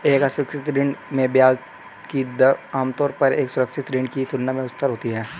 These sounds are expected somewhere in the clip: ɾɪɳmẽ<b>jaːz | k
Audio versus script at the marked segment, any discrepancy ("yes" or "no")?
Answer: no